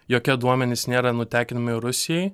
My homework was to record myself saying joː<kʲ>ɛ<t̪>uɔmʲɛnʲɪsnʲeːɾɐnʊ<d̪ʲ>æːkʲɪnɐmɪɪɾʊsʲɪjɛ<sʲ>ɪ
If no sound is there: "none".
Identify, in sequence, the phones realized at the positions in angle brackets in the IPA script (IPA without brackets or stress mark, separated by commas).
kʲ, d̪, t̪ʲ, none